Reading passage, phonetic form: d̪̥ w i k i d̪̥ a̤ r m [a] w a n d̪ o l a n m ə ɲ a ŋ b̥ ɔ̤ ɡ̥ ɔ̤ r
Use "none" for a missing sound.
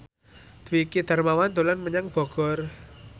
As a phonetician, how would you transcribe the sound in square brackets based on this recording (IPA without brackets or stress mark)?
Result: a